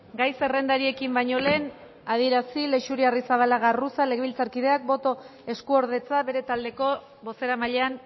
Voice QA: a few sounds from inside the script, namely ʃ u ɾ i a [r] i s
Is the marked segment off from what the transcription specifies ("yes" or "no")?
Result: no